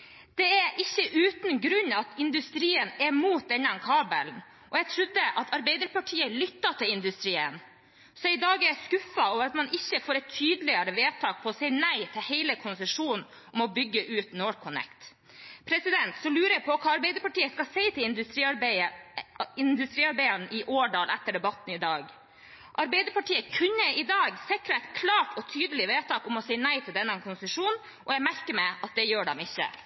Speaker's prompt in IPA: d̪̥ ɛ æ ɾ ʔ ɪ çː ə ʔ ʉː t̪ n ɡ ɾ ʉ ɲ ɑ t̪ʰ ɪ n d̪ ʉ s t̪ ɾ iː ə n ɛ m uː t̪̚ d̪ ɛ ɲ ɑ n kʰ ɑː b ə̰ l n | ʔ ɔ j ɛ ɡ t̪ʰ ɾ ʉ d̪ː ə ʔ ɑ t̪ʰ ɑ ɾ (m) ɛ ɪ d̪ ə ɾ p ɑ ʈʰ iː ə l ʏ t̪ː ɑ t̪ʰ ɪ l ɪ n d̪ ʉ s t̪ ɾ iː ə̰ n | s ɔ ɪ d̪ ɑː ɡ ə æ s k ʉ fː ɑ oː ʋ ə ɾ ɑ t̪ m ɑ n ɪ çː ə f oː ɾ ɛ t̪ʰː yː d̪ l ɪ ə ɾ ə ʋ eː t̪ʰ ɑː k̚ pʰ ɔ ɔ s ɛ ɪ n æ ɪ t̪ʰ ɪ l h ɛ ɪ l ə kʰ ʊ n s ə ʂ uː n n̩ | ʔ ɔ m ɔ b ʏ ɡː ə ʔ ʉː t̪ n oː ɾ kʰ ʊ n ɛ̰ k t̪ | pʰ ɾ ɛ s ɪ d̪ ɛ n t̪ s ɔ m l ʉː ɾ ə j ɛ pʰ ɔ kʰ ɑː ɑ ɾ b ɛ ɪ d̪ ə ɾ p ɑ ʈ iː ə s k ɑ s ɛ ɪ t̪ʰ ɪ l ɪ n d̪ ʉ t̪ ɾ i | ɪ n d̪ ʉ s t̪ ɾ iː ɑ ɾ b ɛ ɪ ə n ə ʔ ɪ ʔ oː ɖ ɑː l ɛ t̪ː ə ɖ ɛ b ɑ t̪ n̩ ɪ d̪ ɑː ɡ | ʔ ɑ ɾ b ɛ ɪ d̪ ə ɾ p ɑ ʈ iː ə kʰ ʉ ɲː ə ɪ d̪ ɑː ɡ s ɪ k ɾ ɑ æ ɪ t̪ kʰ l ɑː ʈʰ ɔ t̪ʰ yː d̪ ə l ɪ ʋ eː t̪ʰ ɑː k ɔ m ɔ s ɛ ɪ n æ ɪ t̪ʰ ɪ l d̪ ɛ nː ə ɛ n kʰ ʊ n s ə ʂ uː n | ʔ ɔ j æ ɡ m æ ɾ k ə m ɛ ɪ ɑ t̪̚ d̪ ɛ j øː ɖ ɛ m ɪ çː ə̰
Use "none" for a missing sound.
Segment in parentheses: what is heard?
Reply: b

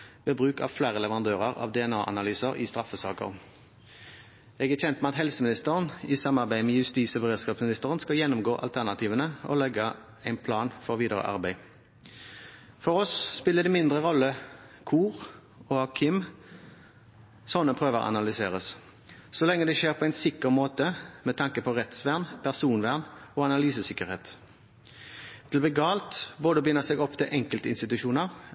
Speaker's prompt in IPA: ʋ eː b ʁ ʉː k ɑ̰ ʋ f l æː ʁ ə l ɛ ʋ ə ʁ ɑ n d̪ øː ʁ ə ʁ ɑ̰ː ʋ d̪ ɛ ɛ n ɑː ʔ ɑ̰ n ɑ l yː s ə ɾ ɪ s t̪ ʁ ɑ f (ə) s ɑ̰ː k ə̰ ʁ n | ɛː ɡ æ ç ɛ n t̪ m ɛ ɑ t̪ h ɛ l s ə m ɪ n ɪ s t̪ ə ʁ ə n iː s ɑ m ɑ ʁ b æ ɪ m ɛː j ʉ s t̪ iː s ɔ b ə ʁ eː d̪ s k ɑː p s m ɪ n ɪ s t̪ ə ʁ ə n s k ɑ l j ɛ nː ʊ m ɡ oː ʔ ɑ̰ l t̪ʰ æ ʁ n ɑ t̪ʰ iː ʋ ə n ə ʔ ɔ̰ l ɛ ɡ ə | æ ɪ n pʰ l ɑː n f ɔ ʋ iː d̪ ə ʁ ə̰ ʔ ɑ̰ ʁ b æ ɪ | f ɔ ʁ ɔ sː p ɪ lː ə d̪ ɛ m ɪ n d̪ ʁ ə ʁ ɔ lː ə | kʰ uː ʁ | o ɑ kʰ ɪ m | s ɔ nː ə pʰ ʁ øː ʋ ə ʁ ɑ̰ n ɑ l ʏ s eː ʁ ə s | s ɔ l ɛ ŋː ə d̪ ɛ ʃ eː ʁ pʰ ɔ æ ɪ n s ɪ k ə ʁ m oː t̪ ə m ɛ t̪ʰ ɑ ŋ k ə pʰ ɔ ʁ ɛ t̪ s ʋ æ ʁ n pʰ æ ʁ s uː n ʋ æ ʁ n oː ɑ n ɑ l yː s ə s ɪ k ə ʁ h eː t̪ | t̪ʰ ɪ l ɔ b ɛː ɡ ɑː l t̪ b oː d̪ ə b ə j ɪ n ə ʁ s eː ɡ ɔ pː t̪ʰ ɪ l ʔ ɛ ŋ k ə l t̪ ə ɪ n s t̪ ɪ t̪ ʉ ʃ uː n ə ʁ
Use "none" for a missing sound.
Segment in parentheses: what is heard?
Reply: ə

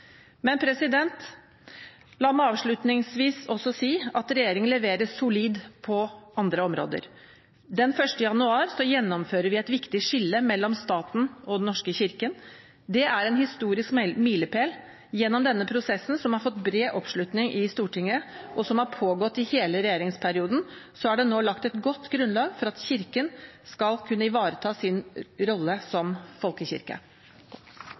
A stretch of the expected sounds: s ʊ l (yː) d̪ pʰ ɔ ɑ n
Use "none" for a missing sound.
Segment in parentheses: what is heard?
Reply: iː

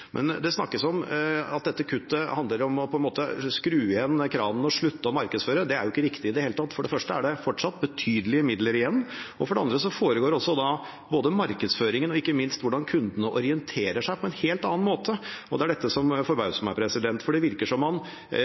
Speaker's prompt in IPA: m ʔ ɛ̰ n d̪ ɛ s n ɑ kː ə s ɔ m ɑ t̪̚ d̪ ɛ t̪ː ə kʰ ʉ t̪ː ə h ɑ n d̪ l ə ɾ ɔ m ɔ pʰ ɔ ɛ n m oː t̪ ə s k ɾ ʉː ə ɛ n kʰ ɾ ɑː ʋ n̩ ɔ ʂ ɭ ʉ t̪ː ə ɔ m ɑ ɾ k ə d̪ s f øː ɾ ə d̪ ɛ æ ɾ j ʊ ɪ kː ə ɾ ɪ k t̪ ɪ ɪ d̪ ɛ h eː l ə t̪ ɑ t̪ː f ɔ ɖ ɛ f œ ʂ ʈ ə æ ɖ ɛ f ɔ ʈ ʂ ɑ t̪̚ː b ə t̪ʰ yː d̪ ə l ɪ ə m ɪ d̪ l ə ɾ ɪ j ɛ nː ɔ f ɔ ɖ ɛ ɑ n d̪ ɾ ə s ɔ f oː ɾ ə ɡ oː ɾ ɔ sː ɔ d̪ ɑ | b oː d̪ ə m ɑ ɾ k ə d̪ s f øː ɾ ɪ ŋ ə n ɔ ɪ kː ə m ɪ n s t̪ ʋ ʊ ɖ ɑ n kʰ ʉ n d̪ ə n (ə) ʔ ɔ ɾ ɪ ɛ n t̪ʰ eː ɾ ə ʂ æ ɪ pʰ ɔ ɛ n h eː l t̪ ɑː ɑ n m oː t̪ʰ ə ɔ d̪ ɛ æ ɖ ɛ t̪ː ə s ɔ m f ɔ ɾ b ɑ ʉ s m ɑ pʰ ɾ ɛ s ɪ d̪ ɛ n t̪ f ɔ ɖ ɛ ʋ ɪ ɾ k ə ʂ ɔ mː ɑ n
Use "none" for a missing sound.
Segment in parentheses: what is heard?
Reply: ə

